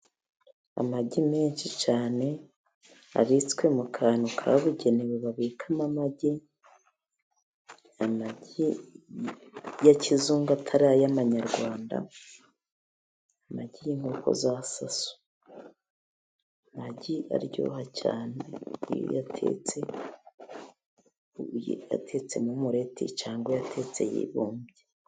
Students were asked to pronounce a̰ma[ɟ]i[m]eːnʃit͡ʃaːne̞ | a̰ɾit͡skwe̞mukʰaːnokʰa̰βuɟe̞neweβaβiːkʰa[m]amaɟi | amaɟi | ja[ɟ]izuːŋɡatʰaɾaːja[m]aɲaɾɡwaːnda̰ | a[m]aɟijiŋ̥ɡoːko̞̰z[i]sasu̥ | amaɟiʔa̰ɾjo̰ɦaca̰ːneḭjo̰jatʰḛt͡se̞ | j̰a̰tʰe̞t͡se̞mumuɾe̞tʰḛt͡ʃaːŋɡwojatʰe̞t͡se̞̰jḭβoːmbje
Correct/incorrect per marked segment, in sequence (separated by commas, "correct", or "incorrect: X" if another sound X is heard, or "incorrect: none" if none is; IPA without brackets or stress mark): correct, correct, correct, incorrect: c, correct, correct, incorrect: a